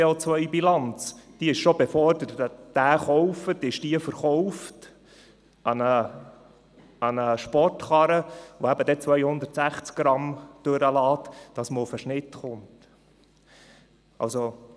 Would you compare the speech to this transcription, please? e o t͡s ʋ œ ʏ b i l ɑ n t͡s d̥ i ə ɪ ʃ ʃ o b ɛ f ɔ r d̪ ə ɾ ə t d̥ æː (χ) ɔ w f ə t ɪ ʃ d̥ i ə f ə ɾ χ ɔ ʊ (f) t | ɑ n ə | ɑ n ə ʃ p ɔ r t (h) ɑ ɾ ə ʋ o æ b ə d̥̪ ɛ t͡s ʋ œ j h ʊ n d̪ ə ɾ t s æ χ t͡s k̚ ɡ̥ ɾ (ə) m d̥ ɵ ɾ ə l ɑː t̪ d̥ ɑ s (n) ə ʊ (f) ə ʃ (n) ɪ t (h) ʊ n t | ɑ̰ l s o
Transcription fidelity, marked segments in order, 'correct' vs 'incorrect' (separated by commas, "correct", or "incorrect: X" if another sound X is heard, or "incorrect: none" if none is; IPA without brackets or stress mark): correct, correct, incorrect: χ, incorrect: ɑ, incorrect: m, correct, correct, incorrect: χ